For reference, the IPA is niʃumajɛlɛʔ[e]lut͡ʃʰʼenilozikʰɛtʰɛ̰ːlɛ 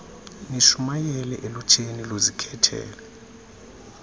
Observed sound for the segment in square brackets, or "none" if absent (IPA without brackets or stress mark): e